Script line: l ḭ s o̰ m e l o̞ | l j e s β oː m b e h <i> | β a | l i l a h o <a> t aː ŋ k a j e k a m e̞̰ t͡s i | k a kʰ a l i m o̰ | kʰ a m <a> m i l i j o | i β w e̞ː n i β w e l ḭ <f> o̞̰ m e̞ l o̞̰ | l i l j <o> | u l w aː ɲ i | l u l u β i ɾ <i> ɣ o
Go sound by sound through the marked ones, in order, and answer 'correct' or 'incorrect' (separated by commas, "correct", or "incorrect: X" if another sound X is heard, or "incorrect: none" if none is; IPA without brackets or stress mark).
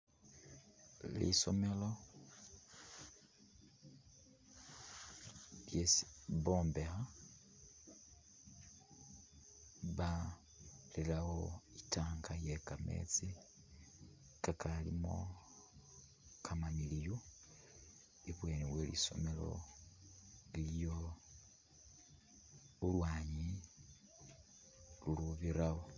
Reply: incorrect: a, incorrect: i, correct, incorrect: s, correct, incorrect: a